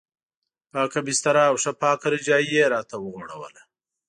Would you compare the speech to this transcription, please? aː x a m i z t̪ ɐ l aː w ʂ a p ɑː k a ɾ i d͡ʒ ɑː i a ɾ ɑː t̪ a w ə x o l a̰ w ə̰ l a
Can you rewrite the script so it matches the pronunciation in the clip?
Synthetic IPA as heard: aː k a b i s t̪ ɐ ɾ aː w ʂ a p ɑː k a ɾ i d͡ʒ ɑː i e ɾ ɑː t̪ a w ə ɣ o ɽ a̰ w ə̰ l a